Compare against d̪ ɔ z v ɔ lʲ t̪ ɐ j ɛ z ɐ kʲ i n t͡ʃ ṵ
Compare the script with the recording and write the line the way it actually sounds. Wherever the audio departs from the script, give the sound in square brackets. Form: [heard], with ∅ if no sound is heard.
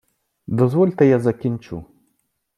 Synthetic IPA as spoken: d̪ ɔ z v ɔ lʲ t̪ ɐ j [a] z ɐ kʲ i n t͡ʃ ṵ